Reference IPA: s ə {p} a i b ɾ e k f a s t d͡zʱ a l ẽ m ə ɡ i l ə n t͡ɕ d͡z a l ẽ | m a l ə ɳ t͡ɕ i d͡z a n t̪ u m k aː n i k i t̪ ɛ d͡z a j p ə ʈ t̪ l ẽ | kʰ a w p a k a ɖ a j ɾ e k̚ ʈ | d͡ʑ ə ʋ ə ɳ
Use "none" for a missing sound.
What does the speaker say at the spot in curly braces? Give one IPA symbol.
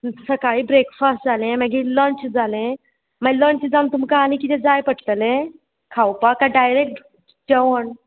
k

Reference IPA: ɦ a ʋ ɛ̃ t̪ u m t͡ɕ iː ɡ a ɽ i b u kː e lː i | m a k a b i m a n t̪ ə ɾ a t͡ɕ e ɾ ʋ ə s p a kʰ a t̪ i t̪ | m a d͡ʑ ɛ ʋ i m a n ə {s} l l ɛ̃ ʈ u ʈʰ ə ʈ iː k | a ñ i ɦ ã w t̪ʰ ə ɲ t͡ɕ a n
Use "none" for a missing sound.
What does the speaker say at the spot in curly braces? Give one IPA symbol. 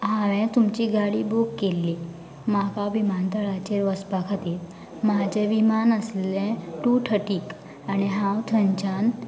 s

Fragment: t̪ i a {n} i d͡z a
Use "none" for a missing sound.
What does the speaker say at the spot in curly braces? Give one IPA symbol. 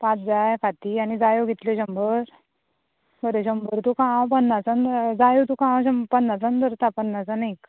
n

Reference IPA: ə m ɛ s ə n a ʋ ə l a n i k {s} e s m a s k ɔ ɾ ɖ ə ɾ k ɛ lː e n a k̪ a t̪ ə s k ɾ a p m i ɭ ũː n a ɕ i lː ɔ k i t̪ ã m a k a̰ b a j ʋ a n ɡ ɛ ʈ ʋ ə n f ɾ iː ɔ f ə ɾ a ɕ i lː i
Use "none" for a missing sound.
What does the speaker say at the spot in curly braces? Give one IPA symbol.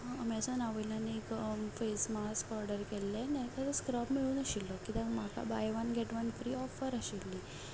f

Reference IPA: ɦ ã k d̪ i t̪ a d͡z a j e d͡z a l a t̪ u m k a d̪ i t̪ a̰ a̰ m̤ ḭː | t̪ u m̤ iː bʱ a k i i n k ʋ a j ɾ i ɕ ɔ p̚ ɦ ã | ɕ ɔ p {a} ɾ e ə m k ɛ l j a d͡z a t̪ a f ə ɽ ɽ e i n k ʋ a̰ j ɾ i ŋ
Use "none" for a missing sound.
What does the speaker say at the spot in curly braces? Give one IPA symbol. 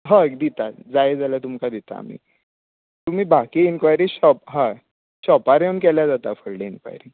a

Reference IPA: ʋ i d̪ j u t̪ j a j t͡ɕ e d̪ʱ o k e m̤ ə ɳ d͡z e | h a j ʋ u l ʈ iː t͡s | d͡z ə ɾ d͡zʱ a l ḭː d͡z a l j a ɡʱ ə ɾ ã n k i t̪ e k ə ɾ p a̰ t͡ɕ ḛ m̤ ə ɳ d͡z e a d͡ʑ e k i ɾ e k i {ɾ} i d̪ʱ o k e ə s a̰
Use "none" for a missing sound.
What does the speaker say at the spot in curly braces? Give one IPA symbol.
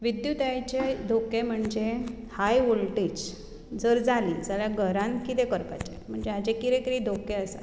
ɾ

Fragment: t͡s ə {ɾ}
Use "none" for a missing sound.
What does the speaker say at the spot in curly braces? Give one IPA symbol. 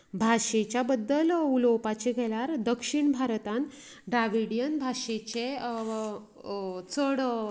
ɽ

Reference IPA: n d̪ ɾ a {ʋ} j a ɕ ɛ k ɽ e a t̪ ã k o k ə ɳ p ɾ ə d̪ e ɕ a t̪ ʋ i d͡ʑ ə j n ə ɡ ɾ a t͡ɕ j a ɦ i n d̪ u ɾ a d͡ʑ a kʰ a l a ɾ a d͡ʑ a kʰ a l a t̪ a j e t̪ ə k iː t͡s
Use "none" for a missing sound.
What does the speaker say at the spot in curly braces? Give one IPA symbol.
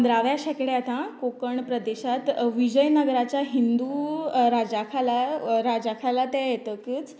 ʋ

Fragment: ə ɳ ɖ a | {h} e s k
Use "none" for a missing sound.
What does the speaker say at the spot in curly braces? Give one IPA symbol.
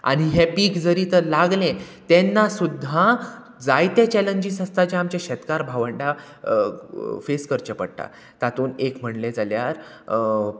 f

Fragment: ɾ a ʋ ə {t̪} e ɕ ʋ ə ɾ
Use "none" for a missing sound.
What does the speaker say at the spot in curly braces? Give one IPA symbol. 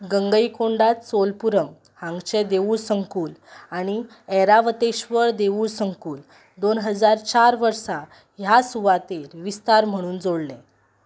t̪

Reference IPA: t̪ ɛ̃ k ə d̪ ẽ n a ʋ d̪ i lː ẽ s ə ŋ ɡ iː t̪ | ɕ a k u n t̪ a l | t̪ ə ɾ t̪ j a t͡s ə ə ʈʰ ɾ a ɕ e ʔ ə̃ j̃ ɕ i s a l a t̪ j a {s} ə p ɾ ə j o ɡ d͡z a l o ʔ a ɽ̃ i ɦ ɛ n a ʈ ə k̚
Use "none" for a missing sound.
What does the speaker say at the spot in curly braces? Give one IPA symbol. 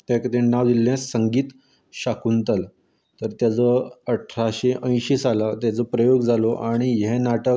t͡s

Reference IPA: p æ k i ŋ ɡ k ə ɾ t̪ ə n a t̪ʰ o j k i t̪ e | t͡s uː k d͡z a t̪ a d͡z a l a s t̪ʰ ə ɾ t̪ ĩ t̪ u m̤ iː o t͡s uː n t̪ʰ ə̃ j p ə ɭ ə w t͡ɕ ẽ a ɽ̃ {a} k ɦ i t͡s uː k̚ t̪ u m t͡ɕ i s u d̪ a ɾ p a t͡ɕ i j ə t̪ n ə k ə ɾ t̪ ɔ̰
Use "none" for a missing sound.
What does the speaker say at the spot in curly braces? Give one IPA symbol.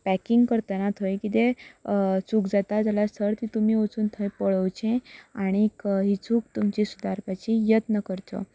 i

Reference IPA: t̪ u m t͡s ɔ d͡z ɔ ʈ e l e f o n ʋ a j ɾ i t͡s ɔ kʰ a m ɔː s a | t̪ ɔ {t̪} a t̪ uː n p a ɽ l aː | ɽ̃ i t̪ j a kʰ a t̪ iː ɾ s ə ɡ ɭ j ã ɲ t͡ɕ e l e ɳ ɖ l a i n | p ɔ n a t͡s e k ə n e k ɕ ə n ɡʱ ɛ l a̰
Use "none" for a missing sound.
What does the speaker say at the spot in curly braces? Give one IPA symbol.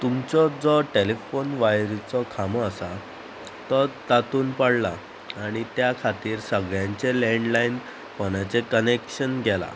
t̪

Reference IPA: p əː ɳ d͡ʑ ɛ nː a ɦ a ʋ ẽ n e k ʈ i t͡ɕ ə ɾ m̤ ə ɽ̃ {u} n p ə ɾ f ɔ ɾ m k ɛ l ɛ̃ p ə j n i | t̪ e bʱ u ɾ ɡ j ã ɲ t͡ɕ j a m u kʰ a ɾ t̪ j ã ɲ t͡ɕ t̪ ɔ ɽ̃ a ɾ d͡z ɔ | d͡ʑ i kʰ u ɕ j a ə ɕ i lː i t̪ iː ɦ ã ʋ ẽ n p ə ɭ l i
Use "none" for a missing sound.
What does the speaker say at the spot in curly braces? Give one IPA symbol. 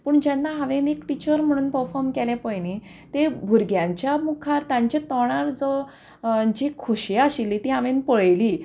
uː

